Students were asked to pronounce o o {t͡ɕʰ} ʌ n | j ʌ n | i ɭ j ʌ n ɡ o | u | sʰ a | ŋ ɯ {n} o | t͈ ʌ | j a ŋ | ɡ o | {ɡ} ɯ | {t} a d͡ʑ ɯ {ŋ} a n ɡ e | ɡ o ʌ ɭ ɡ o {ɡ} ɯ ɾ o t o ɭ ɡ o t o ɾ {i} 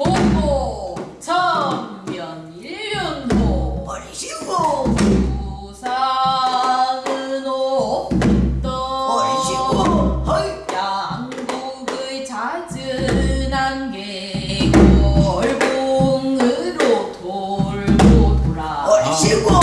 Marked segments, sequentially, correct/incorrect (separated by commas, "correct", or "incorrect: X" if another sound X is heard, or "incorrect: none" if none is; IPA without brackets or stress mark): correct, correct, correct, incorrect: t͡ɕ, incorrect: n, incorrect: ŋ, incorrect: a